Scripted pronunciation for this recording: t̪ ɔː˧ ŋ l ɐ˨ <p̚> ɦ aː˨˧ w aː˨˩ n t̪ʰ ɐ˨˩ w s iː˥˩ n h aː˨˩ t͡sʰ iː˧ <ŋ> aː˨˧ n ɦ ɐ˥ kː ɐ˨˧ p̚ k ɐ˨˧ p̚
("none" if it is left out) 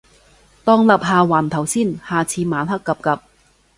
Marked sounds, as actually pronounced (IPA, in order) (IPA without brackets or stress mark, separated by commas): p̚, m